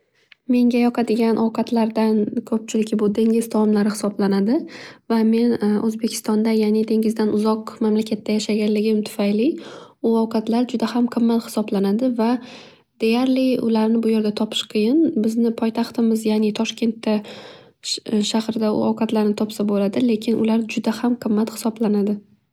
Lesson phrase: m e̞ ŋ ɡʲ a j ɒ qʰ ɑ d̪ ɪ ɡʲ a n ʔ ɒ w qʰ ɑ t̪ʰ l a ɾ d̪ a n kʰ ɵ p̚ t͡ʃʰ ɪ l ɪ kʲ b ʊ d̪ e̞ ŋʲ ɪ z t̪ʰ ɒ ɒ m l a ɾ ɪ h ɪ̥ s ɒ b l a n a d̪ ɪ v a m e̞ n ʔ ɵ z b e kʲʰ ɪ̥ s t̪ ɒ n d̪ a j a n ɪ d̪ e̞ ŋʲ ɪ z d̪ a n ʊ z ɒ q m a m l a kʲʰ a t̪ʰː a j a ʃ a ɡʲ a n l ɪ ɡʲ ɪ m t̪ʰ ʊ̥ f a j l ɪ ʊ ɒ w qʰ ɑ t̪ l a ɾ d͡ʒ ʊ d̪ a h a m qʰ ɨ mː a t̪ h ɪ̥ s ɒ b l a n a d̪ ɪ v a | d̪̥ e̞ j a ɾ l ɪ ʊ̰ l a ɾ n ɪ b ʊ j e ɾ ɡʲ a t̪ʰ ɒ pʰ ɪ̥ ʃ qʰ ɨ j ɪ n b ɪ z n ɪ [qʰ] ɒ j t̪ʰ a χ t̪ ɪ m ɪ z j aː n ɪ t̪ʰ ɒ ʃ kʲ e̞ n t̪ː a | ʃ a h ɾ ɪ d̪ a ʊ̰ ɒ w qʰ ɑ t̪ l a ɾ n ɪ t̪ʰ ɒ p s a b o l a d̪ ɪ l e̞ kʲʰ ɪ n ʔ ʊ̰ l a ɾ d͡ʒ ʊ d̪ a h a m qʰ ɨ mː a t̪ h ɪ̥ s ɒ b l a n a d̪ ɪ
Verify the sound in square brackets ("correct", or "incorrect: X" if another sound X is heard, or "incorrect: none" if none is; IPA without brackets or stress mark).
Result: incorrect: pʰ